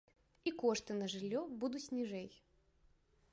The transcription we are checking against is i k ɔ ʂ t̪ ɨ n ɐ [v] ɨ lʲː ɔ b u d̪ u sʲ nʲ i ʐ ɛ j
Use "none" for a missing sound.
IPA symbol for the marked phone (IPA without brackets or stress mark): ʐ